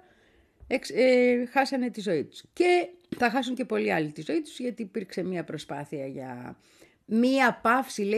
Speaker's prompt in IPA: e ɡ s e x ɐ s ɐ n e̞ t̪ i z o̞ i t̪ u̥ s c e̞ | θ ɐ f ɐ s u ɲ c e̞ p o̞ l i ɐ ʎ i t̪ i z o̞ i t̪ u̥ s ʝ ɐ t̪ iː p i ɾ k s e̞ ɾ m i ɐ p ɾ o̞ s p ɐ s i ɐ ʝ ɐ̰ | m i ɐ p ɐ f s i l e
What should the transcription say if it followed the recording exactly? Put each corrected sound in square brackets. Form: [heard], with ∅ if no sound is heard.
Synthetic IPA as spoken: e [k] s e x ɐ s ɐ n e̞ t̪ i z o̞ i t̪ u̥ s c e̞ | θ ɐ [x] ɐ s u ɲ c e̞ p o̞ l i ɐ [l] i t̪ i z o̞ i t̪ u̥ [z] ʝ ɐ t̪ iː p i ɾ k s e̞ [∅] m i ɐ p ɾ o̞ s p ɐ [θ] i ɐ ʝ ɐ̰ | m i ɐ p ɐ f s i l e